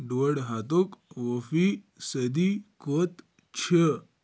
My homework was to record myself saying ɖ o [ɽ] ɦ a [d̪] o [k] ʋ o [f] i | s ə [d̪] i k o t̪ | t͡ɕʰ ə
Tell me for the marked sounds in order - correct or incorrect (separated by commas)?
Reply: correct, incorrect, correct, correct, correct